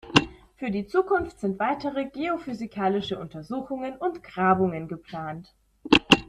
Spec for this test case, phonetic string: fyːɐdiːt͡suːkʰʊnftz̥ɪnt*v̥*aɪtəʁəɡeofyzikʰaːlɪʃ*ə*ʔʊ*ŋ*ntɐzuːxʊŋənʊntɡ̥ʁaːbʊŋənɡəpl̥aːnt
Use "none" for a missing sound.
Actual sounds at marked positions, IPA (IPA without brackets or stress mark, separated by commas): v̥, ə, none